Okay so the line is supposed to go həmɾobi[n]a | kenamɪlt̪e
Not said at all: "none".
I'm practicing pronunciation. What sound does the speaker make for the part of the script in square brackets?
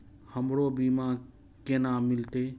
m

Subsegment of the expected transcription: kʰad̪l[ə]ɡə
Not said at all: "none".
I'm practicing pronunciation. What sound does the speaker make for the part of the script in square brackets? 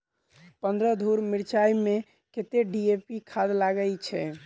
a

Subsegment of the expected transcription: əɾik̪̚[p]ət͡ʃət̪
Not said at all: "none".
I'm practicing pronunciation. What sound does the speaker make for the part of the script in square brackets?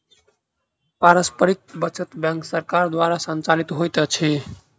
b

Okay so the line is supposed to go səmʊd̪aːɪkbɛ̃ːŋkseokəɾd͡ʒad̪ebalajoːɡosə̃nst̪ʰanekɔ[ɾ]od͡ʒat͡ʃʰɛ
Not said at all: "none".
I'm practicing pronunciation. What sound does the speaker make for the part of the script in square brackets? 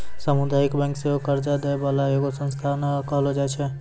l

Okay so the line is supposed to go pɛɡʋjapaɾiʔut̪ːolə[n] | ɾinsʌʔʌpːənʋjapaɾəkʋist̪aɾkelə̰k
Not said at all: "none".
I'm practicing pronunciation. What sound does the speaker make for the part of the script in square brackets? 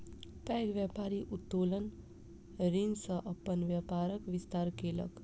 n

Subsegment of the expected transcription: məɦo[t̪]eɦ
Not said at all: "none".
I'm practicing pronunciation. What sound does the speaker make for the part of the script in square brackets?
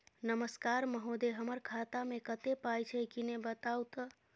d̪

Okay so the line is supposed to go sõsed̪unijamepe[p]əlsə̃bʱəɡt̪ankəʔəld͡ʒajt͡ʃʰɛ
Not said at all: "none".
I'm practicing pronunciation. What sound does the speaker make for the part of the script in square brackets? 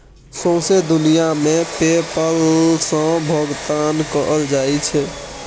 p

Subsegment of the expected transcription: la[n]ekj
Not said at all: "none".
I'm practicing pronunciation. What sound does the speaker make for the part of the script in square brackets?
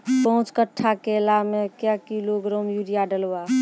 m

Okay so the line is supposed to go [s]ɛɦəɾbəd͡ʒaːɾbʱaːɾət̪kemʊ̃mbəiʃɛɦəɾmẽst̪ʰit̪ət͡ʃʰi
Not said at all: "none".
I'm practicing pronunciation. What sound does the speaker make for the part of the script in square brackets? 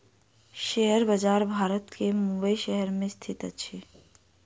ʃ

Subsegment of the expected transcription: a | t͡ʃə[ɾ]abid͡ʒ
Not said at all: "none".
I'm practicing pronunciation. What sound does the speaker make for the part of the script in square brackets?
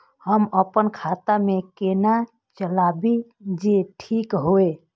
l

